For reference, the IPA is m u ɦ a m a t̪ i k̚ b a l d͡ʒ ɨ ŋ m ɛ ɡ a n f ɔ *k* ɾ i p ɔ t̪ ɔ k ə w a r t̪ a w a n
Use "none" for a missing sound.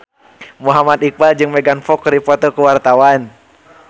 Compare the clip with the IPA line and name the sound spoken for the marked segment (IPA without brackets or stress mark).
k